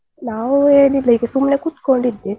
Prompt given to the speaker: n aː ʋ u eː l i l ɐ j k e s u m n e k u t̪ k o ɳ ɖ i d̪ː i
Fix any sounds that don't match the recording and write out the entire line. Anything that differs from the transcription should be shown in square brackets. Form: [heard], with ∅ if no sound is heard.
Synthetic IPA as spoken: n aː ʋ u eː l i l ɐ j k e s u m n e k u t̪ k o ɳ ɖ i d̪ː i